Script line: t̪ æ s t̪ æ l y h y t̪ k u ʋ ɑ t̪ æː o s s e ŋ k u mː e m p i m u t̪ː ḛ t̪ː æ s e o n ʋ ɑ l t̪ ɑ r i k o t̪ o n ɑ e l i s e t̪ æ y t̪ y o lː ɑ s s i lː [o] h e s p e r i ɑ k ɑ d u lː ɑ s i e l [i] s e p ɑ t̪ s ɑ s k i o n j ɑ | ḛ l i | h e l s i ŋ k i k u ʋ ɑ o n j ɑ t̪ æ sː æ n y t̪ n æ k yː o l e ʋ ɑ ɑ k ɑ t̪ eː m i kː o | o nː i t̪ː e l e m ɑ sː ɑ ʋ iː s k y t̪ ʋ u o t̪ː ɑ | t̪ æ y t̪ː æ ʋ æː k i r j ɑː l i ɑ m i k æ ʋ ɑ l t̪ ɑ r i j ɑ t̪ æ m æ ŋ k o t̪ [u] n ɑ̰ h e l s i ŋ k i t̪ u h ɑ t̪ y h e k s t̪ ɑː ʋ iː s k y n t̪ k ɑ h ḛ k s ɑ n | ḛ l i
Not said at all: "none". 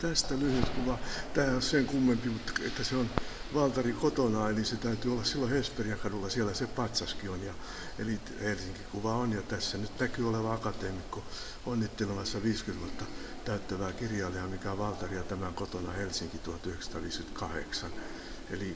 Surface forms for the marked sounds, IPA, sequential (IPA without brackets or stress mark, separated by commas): o, æ, o